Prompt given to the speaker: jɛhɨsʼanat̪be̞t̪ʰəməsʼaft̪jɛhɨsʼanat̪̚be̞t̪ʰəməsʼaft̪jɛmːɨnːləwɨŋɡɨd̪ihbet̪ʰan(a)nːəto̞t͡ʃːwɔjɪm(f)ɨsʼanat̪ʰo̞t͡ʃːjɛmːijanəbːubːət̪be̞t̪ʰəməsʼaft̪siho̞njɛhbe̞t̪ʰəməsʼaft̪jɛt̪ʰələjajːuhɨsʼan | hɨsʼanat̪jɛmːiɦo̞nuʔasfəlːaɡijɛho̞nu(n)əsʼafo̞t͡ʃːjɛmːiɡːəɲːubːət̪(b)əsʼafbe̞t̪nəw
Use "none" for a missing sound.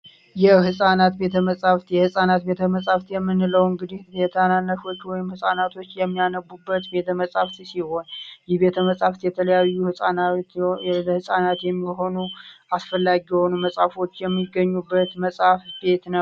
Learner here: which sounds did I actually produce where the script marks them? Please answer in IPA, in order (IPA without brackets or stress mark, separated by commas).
a, h, m, m